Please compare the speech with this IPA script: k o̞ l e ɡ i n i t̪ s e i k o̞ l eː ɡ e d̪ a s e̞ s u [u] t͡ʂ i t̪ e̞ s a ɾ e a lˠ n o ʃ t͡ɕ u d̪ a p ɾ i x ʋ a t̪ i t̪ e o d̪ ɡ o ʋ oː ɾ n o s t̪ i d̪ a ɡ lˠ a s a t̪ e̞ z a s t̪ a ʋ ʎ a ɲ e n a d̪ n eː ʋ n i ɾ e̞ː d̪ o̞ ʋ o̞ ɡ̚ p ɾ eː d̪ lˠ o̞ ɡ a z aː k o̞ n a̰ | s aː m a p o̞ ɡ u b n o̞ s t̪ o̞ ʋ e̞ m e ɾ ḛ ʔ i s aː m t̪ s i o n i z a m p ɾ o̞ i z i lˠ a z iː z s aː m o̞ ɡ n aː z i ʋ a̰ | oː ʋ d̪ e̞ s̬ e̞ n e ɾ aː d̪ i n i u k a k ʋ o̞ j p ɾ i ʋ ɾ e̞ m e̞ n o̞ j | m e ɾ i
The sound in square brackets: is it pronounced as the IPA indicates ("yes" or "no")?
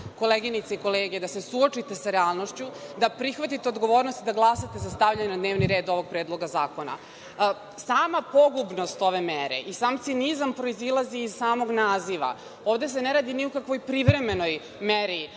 no